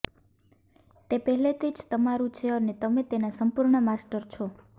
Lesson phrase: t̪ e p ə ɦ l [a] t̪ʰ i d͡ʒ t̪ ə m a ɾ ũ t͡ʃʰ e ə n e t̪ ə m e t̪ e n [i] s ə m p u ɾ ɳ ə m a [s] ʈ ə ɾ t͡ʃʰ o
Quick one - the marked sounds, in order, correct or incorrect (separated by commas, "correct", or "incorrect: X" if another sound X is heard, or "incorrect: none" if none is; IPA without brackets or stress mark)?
incorrect: e, incorrect: a, correct